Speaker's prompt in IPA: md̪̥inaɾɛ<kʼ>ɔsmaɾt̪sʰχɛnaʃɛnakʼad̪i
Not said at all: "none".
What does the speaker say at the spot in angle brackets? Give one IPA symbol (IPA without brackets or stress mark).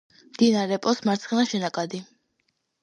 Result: pʼ